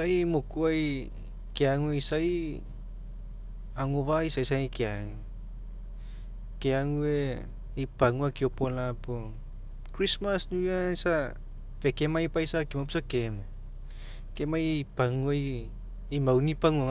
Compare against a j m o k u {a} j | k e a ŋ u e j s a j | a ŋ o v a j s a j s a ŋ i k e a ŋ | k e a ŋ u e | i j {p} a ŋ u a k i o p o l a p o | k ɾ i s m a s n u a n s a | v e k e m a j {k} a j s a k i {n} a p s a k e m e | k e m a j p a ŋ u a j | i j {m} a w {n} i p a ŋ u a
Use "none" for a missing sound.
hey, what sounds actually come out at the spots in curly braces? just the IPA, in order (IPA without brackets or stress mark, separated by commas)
a, p, p, m, m, n